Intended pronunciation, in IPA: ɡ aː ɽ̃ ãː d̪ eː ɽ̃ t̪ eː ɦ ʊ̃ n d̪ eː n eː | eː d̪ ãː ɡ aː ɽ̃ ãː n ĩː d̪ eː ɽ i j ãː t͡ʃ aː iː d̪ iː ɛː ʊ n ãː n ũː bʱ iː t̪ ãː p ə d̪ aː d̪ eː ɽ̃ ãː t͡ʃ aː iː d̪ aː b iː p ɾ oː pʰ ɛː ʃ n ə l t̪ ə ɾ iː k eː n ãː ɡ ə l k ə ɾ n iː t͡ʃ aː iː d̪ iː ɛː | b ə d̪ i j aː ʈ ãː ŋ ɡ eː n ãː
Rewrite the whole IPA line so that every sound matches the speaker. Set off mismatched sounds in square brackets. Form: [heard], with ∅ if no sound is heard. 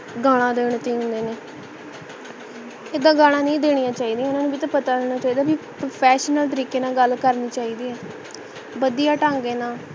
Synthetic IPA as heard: ɡ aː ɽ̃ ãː d̪ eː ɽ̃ t̪ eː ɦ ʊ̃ n d̪ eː n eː | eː d̪ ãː ɡ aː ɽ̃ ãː n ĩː d̪ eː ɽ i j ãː t͡ʃ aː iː d̪ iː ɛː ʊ n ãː n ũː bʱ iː t̪ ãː p ə [t̪] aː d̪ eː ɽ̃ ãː t͡ʃ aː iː d̪ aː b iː p ɾ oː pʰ ɛː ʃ n ə l t̪ ə ɾ iː k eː n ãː ɡ ə l k ə ɾ n iː t͡ʃ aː iː d̪ iː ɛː | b ə d̪ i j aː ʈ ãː ŋ ɡ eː n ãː